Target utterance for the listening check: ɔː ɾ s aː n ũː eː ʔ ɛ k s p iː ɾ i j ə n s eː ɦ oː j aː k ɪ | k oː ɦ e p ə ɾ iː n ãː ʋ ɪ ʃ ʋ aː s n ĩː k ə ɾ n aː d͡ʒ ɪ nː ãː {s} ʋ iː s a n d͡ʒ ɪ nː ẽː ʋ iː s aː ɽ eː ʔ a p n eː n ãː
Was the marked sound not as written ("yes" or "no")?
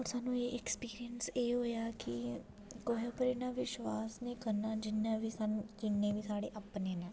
yes